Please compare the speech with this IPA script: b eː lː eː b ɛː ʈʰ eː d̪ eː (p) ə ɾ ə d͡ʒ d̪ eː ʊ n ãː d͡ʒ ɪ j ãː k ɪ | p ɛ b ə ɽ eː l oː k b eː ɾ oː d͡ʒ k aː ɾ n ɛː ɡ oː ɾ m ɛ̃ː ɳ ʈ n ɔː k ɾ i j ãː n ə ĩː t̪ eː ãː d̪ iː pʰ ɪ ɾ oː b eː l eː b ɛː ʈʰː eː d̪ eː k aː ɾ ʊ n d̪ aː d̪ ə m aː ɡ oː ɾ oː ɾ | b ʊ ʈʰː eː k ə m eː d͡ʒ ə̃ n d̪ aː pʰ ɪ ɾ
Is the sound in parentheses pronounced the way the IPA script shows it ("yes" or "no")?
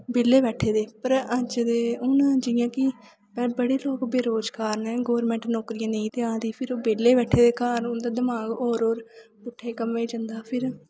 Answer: yes